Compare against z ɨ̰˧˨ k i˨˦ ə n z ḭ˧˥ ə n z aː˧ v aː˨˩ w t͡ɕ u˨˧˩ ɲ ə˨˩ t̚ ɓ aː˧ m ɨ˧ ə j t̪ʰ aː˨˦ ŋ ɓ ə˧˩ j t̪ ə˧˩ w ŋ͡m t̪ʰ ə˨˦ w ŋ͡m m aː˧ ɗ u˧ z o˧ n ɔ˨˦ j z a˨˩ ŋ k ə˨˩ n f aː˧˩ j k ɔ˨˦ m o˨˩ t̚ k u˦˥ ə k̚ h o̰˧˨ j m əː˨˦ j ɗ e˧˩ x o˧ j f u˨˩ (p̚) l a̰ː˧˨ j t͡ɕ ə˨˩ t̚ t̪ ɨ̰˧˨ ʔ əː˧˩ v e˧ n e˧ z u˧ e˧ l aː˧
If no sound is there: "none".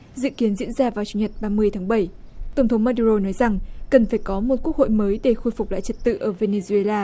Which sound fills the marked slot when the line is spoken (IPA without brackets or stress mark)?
k͡p̚